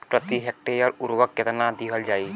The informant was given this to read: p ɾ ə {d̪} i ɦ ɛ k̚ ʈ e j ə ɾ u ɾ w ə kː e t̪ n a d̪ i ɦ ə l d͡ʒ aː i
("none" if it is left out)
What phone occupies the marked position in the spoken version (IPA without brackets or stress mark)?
t̪